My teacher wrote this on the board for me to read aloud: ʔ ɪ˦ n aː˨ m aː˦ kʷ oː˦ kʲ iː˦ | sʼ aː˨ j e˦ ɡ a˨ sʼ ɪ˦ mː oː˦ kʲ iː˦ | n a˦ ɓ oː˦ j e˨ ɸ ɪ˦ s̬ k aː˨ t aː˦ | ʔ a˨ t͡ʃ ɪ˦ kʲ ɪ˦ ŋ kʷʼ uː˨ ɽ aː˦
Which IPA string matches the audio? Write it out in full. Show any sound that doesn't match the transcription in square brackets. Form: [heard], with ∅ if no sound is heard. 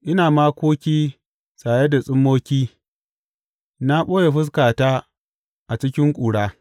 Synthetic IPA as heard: ʔ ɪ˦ n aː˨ m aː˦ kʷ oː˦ kʲ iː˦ | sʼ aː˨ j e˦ [d] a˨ sʼ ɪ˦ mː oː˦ kʲ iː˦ | n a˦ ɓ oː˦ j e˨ ɸ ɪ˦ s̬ k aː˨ t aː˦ | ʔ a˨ t͡ʃ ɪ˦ kʲ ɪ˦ ŋ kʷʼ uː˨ ɽ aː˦